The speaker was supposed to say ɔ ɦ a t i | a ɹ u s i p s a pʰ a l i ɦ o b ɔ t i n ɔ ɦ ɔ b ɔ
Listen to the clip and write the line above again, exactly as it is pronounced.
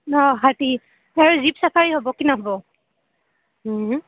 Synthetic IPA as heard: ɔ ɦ a t i | a ɹ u z i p s a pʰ a ɹ i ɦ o b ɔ k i n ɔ ɦ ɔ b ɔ